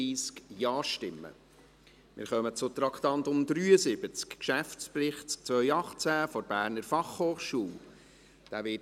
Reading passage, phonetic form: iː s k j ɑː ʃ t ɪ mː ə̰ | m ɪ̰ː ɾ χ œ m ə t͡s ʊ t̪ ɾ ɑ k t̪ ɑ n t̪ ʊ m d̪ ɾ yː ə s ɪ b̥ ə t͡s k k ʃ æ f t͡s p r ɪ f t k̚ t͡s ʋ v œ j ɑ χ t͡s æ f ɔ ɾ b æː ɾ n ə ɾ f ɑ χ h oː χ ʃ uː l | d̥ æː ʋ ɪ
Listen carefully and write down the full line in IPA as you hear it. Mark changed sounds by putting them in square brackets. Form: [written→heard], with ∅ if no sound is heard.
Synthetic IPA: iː s k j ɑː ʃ t ɪ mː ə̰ | m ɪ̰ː ɾ χ œ m ə t͡s ʊ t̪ ɾ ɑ k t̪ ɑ n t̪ ʊ m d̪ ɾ yː ə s ɪ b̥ ə t͡s k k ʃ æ f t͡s p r ɪ [f→χ] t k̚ t͡s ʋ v œ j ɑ χ t͡s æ f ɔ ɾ b æː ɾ n ə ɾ f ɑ χ h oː χ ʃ uː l | d̥ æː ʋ ɪ

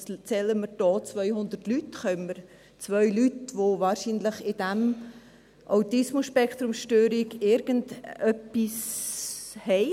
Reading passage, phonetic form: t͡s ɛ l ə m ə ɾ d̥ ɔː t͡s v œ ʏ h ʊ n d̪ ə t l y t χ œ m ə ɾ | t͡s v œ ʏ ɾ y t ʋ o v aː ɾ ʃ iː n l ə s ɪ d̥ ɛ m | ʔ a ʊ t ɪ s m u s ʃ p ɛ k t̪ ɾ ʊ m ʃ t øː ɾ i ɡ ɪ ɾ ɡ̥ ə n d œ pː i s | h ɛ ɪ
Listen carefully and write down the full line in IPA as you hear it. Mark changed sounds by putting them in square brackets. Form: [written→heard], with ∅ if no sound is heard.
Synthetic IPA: t͡s ɛ l ə m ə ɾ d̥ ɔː t͡s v œ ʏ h ʊ n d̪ ə t l y t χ œ m ə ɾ | t͡s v œ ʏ [ɾ→l] y t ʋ o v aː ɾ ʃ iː n l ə [s→χ] ɪ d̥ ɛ m | ʔ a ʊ t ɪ s m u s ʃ p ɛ k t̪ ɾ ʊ m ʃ t øː ɾ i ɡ ɪ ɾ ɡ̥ ə n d œ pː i s | h ɛ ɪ

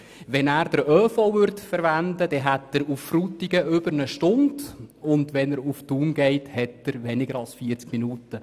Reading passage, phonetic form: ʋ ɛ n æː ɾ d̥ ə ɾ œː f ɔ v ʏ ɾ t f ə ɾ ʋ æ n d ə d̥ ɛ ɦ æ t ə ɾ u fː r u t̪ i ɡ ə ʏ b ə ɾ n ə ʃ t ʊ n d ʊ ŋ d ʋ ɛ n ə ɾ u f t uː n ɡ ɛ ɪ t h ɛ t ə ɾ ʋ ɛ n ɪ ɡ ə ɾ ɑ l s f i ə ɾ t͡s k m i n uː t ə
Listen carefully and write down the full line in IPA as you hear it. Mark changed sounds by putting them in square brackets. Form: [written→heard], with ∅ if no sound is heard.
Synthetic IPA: ʋ ɛ n æː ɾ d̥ ə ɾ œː f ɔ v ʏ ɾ t f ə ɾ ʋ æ n d ə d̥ ɛ ɦ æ t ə ɾ u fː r u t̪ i ɡ ə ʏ b ə ɾ n ə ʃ t ʊ n d ʊ [ŋ→n] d ʋ ɛ n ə ɾ u f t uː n ɡ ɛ ɪ t h ɛ t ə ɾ ʋ ɛ n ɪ ɡ ə ɾ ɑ l s f i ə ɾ t͡s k m i n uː t ə

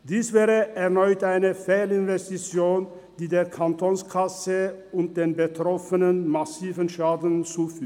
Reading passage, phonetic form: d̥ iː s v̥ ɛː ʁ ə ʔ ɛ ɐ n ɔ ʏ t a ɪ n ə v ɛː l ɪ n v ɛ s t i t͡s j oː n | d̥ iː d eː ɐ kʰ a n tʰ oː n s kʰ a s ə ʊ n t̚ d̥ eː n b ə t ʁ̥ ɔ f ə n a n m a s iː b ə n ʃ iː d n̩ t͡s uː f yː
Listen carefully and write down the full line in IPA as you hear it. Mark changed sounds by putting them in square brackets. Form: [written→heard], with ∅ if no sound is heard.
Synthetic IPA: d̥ iː s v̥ ɛː ʁ ə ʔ ɛ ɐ n ɔ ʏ t a ɪ n ə [v→f] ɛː l ɪ n v ɛ s t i t͡s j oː n | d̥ iː d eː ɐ kʰ a n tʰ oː n s kʰ a s ə ʊ n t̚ d̥ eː n b ə t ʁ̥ ɔ f ə n [a→ə] n m a s iː [b→v] ə n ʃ [iː→aː] d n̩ t͡s uː f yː

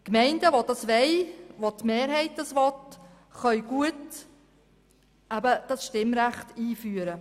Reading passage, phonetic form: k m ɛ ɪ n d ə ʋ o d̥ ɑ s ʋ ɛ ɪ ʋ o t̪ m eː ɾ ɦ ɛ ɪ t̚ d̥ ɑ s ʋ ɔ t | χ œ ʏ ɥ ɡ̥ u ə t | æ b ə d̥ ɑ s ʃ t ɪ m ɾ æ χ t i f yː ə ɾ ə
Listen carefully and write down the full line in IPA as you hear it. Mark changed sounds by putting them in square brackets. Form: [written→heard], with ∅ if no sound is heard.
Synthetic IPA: k m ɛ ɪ n d ə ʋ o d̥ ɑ s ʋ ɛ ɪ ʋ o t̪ m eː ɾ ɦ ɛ ɪ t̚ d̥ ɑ s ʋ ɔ t | χ œ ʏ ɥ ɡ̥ u ə t | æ b ə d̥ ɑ s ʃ t ɪ m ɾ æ χ t [i→iː] f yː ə ɾ ə

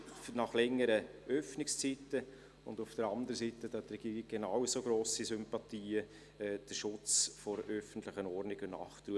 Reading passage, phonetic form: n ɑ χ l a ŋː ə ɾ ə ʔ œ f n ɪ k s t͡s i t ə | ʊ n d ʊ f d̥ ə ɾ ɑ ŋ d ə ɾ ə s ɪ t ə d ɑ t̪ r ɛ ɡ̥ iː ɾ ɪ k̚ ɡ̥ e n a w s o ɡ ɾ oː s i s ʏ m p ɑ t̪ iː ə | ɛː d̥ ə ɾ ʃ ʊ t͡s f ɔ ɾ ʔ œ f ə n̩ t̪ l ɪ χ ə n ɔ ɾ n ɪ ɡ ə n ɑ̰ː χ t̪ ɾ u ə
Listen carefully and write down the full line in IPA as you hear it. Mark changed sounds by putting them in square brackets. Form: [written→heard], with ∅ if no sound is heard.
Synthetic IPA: n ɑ χ l [a→ɛ] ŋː ə ɾ ə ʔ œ f n ɪ k s t͡s i t ə | ʊ n d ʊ f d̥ ə ɾ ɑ [ŋ→n] d ə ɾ ə s [ɪ→i] t ə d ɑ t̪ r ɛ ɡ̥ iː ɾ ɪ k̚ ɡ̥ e n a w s o ɡ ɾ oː s i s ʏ m p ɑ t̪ iː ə | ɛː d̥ ə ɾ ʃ ʊ t͡s f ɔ ɾ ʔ œ f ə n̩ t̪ l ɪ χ ə n ɔ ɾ n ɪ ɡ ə n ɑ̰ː χ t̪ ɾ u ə

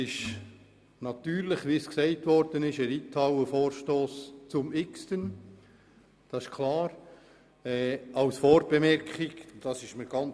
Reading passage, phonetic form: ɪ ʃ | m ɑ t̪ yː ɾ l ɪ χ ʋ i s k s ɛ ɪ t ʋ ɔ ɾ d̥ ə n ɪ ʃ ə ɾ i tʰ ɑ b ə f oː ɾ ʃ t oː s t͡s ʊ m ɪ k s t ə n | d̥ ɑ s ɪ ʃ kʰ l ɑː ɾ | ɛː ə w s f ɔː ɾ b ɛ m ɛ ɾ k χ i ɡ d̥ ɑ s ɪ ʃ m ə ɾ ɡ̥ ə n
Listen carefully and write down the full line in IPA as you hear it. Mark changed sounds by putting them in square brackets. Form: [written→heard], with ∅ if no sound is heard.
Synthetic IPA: ɪ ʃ | [m→n] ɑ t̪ yː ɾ l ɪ χ ʋ i s k s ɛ ɪ t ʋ ɔ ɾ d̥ ə n ɪ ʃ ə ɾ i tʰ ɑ [b→w] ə f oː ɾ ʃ t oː s t͡s ʊ m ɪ k s t ə n | d̥ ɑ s ɪ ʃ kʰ l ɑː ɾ | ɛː [ə→ɑ] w s f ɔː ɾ b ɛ m ɛ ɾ k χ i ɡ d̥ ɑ s ɪ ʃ m ə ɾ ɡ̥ [ə→ɑ] n

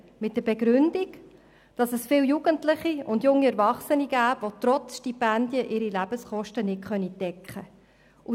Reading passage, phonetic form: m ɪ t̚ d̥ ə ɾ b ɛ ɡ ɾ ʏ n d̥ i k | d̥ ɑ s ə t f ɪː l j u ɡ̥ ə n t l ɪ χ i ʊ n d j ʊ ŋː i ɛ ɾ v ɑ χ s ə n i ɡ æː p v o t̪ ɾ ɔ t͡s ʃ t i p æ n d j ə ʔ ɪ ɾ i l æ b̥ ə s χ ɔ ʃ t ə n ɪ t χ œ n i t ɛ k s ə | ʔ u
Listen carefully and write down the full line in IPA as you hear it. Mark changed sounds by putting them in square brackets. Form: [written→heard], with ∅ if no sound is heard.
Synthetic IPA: m ɪ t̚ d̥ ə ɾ b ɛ ɡ ɾ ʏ n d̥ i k | d̥ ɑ s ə [t→s] f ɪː l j u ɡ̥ ə n t l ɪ χ i ʊ n d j ʊ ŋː i ɛ ɾ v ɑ χ s ə n i ɡ æː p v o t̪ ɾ ɔ t͡s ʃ t i p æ n d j ə ʔ ɪ ɾ i l æ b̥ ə s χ ɔ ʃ t ə n ɪ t χ œ n i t ɛ k [s→χ] ə | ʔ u

